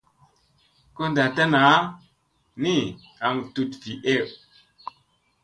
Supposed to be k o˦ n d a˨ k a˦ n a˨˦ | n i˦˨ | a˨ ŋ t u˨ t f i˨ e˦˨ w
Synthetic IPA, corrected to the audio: k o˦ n d a˨ t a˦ n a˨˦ | n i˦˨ | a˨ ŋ t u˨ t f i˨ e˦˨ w